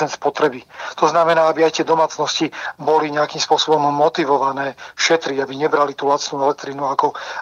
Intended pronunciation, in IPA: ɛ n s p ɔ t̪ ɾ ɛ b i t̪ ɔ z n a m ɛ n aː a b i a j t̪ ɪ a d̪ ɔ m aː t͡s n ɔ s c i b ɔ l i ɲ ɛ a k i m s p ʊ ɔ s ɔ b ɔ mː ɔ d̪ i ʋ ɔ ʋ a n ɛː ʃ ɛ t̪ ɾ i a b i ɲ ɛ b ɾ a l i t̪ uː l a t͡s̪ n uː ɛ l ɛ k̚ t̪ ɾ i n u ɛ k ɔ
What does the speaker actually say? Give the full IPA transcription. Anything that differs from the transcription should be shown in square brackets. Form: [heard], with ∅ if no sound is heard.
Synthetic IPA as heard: ɛ n s p ɔ t̪ ɾ ɛ b i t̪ ɔ z n a m ɛ n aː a b i a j t̪ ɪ [ɛ] d̪ ɔ m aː t͡s n ɔ s c i b ɔ l i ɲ ɛ a k i m s p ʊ ɔ s ɔ b ɔ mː ɔ [t̪] i ʋ ɔ ʋ a n ɛː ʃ ɛ t̪ ɾ i a b i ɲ ɛ b ɾ a l i t̪ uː l a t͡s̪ n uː ɛ l ɛ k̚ t̪ ɾ i n u [a] k ɔ